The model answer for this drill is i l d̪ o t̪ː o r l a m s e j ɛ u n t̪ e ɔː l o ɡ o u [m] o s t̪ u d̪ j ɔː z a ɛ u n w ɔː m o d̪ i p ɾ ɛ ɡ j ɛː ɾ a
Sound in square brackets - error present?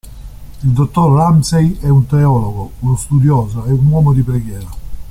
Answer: yes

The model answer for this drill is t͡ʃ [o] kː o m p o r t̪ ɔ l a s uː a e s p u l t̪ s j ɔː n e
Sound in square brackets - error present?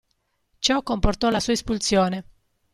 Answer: yes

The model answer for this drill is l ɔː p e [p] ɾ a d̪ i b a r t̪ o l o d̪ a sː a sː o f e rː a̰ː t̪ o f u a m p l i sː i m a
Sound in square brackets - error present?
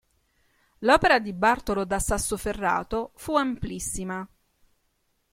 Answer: yes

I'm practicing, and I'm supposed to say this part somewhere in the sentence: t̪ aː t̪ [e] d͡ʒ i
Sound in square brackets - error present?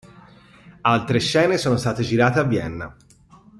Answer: no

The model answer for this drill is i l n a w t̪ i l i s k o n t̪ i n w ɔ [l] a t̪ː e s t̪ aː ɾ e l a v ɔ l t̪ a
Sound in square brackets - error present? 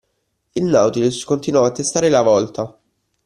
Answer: yes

